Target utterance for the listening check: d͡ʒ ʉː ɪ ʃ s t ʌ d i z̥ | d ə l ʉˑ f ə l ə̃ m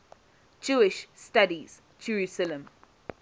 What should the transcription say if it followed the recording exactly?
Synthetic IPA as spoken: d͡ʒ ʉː ɪ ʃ s t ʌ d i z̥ | d͡ʒ ə ɹ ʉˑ s ə l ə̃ m